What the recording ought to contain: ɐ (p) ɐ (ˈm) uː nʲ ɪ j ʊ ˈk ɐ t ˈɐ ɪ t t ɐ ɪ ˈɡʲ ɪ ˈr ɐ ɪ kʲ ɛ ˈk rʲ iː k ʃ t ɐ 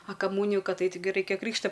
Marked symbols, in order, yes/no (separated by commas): no, yes